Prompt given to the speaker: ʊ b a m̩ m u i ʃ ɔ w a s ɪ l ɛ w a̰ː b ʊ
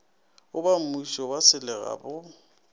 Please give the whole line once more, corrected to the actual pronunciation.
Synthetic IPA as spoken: ʊ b a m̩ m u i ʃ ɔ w a s ɪ l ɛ ɣ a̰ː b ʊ